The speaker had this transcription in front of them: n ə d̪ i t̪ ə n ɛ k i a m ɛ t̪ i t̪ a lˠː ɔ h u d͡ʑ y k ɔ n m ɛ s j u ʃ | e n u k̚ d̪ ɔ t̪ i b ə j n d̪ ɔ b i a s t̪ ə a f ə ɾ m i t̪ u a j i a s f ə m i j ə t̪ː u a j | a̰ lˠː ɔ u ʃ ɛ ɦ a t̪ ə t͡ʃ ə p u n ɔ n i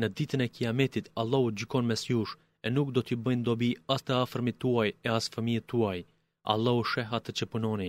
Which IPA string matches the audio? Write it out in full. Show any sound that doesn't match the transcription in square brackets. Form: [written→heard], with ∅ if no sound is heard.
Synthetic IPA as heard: n ə d̪ i t̪ ə n ɛ k i a m ɛ t̪ i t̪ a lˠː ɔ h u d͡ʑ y k ɔ n m ɛ s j u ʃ | [e→ɛ] n u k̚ d̪ ɔ t̪ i b ə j n d̪ ɔ b i a s t̪ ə a f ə ɾ m i t̪ u a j [i→ɛ] a s f ə m i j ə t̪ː u a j | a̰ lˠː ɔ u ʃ ɛ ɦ a t̪ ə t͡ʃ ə p u n ɔ n i